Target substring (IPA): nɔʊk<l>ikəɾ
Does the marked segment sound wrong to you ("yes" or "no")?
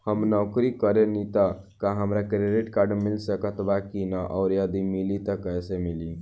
yes